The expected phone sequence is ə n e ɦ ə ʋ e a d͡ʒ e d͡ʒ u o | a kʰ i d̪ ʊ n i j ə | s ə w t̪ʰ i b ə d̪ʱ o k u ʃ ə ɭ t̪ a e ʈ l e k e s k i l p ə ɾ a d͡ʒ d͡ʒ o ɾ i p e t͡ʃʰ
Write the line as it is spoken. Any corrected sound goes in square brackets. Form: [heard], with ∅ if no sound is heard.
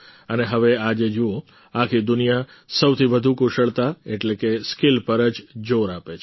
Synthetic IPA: ə n e ɦ ə ʋ e a d͡ʒ e d͡ʒ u o | a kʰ i d̪ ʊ n i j [a] | s ə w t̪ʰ i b ə d̪ʱ [u] k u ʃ ə ɭ t̪ a e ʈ l e k e s k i l p ə ɾ [ə] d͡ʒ d͡ʒ o ɾ [a] p e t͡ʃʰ